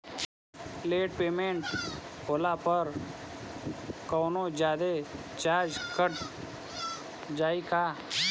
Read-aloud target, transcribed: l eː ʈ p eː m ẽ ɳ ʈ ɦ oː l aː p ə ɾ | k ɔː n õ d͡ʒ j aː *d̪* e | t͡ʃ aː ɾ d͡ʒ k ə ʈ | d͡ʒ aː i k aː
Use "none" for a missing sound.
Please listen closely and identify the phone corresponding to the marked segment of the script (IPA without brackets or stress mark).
d̪